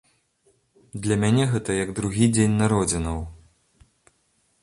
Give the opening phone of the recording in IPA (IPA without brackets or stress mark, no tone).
d̪